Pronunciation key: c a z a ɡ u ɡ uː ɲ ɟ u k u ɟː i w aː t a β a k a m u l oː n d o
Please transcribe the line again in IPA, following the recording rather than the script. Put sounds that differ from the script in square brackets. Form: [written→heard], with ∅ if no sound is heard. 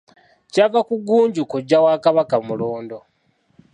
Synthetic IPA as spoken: c a [z→v] a [ɡ→k] u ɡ uː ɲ ɟ u k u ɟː [i→a] w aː [t→k] a β a k a m u l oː n d o